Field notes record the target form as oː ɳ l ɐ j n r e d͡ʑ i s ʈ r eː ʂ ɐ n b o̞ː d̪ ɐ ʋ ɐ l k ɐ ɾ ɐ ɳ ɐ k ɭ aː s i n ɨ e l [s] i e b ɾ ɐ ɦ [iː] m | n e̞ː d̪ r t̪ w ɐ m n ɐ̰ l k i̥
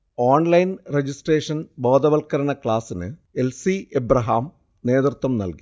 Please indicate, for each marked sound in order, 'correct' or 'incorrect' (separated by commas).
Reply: correct, incorrect